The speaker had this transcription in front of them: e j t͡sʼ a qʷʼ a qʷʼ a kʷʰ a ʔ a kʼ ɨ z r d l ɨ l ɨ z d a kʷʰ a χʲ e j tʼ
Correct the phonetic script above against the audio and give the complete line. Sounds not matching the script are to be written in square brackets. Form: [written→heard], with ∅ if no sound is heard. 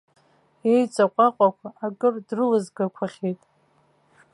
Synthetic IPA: e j t͡sʼ a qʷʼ a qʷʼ a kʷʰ a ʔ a kʼ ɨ [z→∅] r d [l→r] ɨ l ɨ z [d→ɡ] a kʷʰ a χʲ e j tʼ